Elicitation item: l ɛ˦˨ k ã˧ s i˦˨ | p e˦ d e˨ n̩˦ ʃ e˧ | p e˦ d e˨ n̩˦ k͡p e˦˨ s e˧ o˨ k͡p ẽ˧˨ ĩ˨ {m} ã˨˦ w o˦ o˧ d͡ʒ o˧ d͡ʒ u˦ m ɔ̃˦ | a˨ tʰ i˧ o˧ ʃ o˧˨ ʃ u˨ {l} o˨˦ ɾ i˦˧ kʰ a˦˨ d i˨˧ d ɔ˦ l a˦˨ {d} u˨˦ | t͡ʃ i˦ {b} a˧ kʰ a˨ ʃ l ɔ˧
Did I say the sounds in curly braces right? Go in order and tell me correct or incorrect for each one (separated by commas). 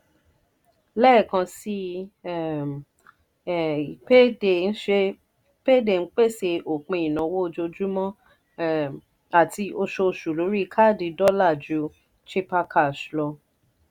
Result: incorrect, correct, incorrect, incorrect